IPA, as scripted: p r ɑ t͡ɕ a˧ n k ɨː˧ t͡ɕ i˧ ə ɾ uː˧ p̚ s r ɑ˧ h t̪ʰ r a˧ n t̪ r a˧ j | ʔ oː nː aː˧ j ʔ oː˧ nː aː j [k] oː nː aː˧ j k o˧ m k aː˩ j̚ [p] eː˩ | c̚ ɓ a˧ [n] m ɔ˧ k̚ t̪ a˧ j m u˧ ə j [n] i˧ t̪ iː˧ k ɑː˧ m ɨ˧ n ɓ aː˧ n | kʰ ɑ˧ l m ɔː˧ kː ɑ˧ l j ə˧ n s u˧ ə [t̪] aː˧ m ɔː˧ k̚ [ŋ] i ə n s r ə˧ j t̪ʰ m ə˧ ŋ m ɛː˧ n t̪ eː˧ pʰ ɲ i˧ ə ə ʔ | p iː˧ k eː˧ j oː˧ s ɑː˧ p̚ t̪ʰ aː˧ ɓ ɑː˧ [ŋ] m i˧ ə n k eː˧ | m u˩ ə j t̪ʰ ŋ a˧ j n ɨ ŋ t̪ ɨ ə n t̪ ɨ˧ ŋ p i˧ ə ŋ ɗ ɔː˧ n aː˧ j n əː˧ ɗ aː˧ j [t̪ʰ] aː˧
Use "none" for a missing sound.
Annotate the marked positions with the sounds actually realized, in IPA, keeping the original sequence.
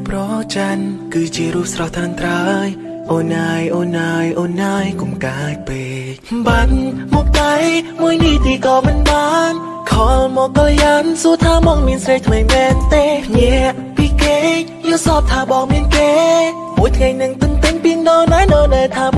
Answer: ʔ, p, n, n, t̪ʰ, m, ŋ, t̪ʰ

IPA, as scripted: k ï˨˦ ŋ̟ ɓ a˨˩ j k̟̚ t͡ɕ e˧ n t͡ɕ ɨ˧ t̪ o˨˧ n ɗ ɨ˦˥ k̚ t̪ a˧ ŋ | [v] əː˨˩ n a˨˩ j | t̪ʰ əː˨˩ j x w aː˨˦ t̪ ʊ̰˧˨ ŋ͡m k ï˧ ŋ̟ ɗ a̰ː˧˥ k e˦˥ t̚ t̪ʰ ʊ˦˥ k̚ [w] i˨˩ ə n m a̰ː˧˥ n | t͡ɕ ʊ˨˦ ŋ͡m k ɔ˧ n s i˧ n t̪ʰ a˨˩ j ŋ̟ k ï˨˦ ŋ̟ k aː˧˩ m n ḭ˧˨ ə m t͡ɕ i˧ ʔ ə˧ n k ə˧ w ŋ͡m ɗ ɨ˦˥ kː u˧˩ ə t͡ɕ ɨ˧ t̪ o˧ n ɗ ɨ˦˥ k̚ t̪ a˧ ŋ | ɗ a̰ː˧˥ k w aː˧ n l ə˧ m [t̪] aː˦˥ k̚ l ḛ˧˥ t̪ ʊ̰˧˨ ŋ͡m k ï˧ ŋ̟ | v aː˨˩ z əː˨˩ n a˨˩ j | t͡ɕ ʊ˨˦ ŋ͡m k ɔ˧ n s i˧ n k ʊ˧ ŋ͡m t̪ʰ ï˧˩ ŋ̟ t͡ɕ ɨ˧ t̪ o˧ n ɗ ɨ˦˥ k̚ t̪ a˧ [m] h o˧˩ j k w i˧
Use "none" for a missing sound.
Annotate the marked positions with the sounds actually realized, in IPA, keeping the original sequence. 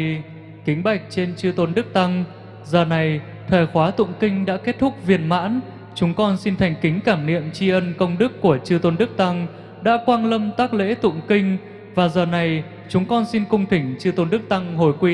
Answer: z, v, t̪, ŋ

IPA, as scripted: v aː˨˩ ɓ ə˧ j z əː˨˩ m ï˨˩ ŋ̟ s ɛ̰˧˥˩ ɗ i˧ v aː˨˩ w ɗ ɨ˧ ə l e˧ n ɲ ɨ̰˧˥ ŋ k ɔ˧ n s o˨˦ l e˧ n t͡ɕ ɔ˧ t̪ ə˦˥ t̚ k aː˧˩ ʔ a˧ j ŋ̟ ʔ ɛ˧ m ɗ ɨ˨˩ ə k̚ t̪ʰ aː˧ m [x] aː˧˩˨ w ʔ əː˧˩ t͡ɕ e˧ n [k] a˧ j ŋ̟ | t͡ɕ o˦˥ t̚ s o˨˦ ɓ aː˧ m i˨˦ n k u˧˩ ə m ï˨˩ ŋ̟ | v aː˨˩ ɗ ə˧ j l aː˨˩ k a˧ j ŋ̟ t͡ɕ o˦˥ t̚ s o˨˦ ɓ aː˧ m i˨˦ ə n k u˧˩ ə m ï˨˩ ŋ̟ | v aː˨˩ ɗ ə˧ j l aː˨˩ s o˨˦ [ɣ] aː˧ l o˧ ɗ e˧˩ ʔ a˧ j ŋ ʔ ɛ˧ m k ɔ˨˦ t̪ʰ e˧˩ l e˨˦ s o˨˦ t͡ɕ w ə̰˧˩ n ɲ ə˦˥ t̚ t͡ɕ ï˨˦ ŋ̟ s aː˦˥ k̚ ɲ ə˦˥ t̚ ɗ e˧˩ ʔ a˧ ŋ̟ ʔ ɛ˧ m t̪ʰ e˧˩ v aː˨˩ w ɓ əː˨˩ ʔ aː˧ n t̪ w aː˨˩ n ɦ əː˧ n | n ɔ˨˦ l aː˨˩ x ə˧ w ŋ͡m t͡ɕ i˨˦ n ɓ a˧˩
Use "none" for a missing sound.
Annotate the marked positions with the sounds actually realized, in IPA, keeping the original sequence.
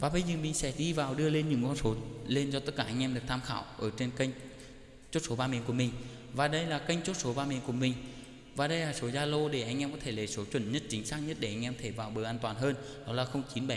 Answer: x, k, z

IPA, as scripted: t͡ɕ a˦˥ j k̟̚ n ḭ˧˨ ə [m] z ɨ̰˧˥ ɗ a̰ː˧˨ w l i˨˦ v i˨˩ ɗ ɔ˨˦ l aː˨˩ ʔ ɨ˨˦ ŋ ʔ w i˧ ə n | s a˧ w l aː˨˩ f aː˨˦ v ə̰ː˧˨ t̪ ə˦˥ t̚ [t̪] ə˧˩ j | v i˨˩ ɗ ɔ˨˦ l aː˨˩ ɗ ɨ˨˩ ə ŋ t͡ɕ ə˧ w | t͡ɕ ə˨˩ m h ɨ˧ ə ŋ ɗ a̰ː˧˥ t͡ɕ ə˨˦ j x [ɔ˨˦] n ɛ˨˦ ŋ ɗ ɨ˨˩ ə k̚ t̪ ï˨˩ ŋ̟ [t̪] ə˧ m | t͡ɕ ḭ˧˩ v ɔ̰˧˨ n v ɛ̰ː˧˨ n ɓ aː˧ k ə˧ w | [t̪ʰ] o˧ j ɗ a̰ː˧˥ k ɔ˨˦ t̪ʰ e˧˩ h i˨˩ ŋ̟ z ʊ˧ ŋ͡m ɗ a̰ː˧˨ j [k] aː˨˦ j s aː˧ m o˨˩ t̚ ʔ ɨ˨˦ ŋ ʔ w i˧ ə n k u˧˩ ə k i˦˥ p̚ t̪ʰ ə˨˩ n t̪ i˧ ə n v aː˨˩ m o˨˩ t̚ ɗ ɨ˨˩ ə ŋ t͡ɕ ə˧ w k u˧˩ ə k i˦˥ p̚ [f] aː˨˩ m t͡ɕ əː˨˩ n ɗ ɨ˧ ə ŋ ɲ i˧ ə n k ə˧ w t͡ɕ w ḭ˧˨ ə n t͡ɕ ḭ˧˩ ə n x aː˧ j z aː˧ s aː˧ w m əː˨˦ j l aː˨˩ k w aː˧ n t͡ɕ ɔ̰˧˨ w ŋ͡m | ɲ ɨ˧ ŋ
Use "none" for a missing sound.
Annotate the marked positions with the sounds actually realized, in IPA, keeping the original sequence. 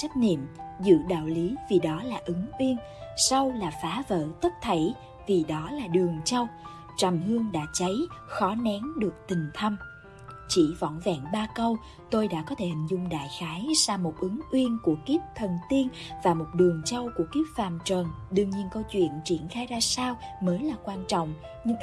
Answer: m, t̪ʰ, ɔ˨˦, t̪ʰ, t̪, x, f

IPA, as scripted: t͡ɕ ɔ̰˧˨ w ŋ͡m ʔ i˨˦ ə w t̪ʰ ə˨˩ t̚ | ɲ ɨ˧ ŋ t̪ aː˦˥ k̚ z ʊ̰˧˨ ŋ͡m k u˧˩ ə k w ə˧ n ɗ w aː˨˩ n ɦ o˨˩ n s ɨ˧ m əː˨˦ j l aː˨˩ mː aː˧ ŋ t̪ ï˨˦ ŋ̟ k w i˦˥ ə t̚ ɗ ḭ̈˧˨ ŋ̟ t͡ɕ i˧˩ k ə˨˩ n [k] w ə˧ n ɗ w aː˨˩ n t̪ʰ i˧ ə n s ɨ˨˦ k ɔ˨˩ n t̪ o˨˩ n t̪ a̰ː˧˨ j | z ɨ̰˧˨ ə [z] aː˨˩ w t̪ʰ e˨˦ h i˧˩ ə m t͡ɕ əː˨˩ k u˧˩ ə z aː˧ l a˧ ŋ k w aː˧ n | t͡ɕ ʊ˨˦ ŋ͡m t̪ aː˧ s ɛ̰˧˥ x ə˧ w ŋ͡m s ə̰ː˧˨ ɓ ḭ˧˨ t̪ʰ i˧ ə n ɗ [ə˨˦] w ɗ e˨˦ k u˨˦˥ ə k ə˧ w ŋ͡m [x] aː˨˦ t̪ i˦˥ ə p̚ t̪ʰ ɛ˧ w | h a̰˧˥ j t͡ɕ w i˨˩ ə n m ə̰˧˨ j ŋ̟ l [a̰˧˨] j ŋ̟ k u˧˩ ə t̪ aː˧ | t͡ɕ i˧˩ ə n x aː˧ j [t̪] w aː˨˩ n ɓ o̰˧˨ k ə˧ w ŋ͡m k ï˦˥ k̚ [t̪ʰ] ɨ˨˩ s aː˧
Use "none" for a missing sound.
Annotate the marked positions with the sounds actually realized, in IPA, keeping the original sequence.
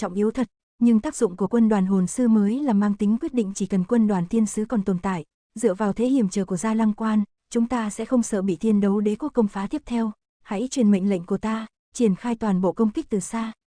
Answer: k, v, ə˨˦, f, ə̰˧˨, t̪, t̪

